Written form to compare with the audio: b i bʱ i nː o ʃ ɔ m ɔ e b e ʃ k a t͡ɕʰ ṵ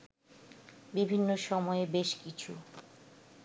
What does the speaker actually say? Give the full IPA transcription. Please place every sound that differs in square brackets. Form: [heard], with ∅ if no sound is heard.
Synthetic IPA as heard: b i bʱ i nː o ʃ ɔ m ɔ e b e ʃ k [i] t͡ɕʰ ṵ

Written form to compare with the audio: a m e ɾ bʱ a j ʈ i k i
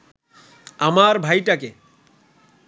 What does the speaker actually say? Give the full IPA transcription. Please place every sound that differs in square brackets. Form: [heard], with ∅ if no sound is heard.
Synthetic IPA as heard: a m [a] ɾ bʱ a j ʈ [a] k [e]

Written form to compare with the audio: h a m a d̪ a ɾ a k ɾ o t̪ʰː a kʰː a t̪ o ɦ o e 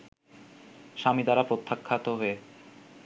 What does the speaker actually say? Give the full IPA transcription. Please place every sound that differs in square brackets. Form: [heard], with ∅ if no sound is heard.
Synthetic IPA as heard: [ʃ] a m [i] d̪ a ɾ a [p] ɾ o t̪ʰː a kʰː a t̪ o ɦ o e

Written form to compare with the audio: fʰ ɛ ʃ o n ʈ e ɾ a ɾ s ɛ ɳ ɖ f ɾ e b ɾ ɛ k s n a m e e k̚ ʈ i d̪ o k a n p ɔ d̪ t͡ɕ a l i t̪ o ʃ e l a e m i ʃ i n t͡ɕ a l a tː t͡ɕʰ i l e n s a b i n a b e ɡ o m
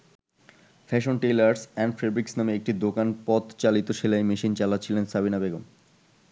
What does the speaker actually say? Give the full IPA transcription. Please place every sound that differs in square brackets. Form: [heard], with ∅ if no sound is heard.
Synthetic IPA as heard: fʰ ɛ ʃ o n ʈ e [l] a ɾ s ɛ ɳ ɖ f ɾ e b ɾ [i] k s n a m e e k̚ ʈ i d̪ o k a n p ɔ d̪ t͡ɕ a l i t̪ o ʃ e l a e m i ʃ i n t͡ɕ a l a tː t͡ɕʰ i l e n s a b i n a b e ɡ o m

